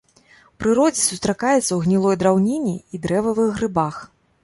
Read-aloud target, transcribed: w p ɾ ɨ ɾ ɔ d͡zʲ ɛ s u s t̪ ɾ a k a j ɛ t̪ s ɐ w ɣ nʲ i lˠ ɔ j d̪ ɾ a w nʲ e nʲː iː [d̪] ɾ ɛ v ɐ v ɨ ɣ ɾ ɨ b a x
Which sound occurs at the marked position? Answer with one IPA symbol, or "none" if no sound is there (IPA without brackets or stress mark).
d̪